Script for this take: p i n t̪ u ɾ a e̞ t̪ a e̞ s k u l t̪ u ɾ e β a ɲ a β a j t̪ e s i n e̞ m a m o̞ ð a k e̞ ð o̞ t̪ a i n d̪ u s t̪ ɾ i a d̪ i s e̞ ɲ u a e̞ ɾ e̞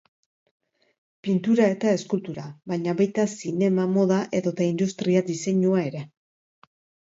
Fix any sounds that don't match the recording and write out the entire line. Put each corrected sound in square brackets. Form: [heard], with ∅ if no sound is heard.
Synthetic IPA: p i n t̪ u ɾ a e̞ t̪ a e̞ s k u l t̪ u ɾ [a] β a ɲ a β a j t̪ [a] s i n e̞ m a m o̞ ð a [ʔ] e̞ ð o̞ t̪ a i n d̪ u s t̪ ɾ i a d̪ i s e̞ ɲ u a e̞ ɾ e̞